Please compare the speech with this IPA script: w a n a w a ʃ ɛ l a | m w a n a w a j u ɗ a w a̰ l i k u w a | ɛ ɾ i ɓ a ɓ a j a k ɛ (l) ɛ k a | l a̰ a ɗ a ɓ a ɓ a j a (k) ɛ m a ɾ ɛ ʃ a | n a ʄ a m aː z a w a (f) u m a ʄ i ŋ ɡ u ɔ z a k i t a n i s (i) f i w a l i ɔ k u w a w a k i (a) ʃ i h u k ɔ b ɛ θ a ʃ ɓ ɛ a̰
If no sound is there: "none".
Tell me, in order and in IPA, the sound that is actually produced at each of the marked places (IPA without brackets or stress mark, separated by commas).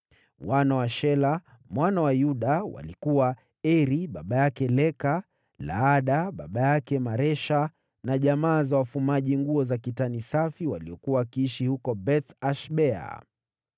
l, k, f, a, i